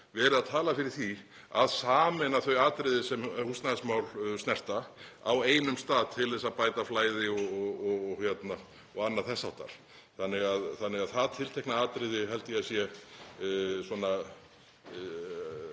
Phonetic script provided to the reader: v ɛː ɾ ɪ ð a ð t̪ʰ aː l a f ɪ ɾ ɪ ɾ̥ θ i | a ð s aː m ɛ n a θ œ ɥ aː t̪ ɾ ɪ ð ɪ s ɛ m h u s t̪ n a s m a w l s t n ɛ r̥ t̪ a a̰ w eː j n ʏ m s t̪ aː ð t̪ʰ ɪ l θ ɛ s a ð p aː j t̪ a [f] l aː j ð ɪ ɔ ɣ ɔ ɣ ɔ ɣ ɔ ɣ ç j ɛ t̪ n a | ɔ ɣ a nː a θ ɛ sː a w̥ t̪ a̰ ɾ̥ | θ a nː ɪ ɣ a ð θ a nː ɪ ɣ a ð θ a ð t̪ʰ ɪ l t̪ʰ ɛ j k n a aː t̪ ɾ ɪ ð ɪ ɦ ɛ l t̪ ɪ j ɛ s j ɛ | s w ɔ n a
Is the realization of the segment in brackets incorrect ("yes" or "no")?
no